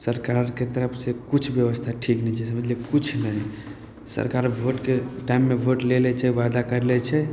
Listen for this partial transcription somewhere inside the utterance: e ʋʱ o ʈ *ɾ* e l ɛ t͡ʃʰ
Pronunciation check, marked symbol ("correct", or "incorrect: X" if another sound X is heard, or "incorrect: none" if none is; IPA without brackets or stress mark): incorrect: l